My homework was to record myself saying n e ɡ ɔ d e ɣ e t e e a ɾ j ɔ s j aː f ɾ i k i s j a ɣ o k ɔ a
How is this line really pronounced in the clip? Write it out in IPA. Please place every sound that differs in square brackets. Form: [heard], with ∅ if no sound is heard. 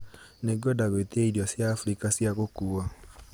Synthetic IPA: n e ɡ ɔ d [a] ɣ e t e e [i] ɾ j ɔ s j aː f ɾ i k [a] s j a ɣ o k [u] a